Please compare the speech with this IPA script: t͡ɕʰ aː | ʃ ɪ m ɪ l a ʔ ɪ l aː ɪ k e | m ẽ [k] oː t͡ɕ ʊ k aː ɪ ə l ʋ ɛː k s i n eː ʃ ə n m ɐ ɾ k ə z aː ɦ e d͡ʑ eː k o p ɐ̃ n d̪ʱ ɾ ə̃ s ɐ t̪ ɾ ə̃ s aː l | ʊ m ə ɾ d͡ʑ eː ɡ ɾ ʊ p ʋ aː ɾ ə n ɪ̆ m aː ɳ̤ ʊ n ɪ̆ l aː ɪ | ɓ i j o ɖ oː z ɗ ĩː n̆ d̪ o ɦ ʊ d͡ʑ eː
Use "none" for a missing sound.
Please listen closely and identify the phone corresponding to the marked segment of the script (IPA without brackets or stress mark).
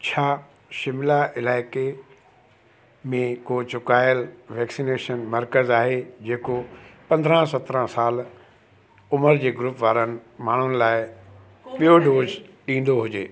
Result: k